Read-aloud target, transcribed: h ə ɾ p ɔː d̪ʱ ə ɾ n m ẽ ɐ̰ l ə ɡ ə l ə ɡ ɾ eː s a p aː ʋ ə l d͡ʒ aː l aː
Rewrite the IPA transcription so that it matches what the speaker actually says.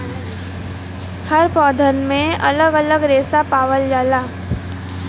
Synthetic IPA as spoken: h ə ɾ p ɔː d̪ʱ ə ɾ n m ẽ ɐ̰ l ə ɡ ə l ə ɡ ɾ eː s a p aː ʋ ə l d͡ʒ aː l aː